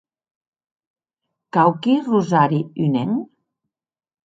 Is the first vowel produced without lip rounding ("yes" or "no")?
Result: yes